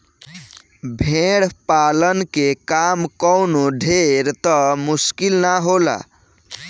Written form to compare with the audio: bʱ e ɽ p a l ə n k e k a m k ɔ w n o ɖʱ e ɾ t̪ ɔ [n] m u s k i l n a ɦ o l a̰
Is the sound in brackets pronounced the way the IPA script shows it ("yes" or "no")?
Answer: no